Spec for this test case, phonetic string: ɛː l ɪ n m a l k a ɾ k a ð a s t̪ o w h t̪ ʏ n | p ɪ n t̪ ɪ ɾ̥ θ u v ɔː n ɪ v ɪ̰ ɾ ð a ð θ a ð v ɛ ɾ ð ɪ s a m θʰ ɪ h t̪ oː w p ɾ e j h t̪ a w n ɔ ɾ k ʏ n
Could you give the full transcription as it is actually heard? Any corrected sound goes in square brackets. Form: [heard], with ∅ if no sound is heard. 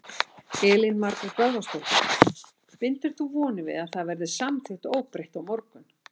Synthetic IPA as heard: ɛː l ɪ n m a [ɾ] k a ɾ k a ð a s t̪ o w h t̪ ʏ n | p ɪ n t̪ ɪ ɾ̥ θ u v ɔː n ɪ v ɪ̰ [∅] ð a ð θ a ð v ɛ ɾ ð ɪ s a m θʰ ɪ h t̪ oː w p ɾ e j h t̪ a w [m] ɔ ɾ k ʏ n